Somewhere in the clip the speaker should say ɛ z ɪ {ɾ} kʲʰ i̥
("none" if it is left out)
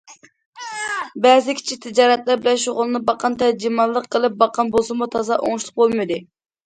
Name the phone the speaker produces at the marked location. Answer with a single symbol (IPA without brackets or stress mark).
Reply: none